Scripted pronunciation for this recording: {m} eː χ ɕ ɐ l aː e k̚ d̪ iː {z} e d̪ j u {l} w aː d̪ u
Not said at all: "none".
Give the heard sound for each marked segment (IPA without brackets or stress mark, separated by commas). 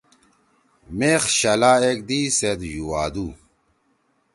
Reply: m, s, none